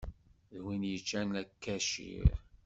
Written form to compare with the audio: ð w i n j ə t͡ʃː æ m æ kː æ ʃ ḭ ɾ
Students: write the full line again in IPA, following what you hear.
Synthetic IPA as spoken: ð w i n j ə t͡ʃː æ n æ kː æ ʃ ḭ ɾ

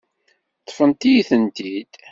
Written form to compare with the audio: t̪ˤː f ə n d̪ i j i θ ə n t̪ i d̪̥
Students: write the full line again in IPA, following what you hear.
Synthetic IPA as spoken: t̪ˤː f ə n t̪ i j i θ ə n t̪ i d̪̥

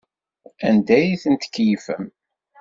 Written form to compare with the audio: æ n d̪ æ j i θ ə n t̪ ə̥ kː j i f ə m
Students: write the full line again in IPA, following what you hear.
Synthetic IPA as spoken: æ n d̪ æ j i θ ə n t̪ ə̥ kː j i f ə m

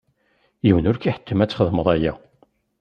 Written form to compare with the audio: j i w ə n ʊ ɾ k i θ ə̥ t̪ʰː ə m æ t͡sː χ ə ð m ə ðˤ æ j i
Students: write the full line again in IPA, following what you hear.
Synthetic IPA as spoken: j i w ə n ʊ ɾ k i ħ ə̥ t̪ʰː ə m æ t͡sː χ ə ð m ə ðˤ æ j æ

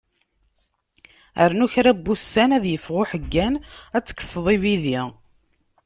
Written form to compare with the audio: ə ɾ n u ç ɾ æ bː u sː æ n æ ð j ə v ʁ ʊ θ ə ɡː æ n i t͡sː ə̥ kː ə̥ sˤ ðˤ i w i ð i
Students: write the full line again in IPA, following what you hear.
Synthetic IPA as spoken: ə ɾ n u ç ɾ æ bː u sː æ n æ ð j ə f ʁ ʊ ħ ə ɡː æ n æ t͡sː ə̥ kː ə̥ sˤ ðˤ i v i ð i

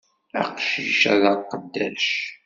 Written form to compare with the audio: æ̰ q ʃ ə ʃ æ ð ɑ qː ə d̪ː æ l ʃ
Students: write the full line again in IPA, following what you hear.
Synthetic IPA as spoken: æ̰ q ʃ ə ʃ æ ð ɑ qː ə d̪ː æ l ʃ

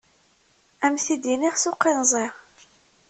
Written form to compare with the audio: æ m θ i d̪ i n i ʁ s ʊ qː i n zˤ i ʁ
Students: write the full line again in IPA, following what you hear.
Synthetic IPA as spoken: æ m θ i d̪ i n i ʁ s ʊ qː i n zˤ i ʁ

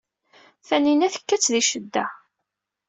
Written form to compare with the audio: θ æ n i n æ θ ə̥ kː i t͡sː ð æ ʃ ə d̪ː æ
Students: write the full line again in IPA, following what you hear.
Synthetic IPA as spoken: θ æ n i n æ θ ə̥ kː æ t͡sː ð i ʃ ə d̪ː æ

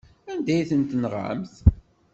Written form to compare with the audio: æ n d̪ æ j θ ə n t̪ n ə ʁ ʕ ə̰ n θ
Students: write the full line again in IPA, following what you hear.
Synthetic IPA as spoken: æ n d̪ æ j θ ə n t̪ n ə ʁ ʕ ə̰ m θ

